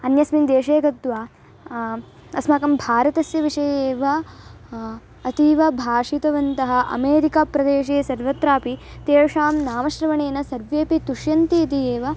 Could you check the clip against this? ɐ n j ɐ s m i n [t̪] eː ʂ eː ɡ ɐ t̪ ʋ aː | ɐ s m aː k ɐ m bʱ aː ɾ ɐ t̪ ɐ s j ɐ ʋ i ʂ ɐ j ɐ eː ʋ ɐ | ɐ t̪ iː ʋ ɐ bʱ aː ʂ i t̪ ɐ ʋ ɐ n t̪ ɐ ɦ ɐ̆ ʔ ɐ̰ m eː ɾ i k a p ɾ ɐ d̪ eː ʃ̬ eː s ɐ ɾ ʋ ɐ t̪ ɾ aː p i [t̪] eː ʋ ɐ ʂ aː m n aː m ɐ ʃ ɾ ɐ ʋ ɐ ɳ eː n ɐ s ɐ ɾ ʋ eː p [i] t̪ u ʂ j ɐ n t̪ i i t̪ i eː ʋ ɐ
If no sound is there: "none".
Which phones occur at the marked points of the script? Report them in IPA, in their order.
d̪, t̪, i

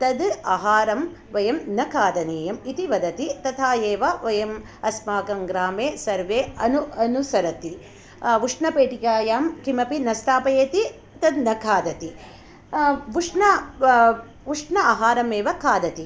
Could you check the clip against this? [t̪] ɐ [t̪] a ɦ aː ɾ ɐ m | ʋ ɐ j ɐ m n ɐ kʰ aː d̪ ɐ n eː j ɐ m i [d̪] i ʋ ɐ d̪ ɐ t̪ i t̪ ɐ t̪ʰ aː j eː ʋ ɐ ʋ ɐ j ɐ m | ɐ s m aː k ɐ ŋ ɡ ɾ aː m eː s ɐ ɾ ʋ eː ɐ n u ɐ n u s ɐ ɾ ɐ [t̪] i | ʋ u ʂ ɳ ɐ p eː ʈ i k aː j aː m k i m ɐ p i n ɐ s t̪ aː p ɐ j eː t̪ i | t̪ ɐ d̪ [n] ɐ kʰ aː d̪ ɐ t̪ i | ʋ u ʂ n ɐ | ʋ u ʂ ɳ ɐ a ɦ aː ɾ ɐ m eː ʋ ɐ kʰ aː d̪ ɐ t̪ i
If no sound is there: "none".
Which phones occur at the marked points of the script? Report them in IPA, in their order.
t̪, d̪, t̪, t̪, n

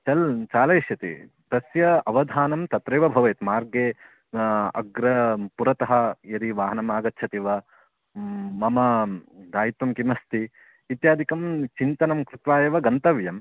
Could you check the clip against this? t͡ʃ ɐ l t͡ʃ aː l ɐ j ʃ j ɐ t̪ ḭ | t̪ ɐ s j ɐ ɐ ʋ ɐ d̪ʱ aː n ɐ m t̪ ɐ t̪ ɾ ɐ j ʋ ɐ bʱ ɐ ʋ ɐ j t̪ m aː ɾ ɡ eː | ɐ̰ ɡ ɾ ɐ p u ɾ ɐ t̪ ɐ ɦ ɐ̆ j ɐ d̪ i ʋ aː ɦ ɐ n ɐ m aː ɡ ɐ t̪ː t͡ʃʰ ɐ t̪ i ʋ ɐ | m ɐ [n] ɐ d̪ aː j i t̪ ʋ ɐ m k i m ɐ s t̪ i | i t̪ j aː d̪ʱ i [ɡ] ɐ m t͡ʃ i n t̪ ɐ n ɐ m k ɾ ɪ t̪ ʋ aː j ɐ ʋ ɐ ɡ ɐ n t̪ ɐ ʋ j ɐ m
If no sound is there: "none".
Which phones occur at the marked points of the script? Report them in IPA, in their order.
m, k

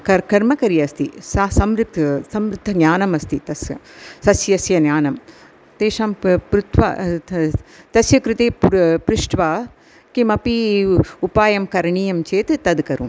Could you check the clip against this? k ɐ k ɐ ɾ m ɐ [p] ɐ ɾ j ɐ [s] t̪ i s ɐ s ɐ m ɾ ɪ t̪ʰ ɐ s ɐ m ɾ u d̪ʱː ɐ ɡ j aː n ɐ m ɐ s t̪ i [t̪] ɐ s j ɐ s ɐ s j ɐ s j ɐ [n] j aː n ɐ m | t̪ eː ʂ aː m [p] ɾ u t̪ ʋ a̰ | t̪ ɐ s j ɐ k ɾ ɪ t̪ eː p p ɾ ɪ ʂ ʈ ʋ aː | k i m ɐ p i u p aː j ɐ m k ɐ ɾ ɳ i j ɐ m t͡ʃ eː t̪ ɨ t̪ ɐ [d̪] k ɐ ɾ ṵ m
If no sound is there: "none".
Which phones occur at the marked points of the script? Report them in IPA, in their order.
k, s, t̪, n, p, d̪

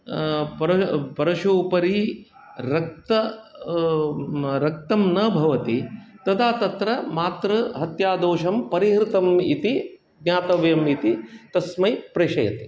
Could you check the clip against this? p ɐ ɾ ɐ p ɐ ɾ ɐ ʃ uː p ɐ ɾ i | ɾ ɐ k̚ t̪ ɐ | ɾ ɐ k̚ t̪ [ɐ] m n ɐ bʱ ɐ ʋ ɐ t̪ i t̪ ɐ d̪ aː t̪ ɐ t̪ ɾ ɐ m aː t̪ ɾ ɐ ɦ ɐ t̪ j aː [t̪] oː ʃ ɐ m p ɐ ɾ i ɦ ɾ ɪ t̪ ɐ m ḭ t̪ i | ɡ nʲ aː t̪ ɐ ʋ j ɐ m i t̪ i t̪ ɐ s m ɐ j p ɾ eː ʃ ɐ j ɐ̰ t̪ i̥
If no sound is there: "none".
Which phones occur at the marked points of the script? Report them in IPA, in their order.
ɐ, d̪

